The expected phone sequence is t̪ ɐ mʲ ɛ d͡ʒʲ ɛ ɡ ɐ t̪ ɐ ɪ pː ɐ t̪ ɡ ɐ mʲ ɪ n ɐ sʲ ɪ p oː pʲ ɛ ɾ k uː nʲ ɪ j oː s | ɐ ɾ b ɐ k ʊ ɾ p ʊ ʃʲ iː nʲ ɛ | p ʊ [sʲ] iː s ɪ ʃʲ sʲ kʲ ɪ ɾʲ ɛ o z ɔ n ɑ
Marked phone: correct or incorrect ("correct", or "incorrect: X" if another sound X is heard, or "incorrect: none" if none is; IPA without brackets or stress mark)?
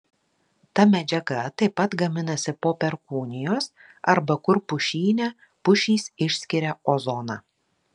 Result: incorrect: ʃʲ